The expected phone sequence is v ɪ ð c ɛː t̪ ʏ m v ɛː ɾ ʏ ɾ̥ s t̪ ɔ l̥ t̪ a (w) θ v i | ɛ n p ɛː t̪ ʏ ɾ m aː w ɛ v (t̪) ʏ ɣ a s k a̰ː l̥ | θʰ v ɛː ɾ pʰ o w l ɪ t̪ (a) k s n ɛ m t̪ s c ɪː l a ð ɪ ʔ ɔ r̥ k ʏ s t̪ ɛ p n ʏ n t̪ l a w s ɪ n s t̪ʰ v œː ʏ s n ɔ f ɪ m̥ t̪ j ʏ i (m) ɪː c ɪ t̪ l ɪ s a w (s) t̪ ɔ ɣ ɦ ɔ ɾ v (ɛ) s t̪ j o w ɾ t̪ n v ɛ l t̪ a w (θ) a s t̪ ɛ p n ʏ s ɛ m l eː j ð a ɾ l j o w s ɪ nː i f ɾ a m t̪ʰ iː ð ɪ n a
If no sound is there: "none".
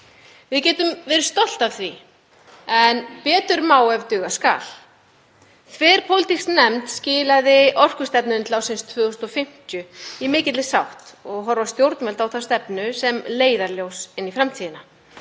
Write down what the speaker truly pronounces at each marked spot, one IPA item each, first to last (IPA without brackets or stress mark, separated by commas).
v, t̪, i, m, h, a, θ